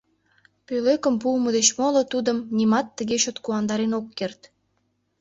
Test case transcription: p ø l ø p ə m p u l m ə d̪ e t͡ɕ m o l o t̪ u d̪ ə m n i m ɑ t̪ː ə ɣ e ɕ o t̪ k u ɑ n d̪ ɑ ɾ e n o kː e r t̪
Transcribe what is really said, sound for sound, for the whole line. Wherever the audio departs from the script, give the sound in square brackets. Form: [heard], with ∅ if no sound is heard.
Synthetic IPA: p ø l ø [k] ə m p u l m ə d̪ e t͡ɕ m o l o t̪ u d̪ ə m n i m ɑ t̪ː ə ɣ e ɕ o t̪ k u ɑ n d̪ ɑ ɾ e n o kː e r t̪